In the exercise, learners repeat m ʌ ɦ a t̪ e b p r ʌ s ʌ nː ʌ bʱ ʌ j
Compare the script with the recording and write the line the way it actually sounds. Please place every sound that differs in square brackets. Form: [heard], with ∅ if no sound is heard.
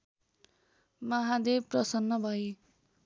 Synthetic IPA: m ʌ ɦ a [d̪] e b p r ʌ s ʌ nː ʌ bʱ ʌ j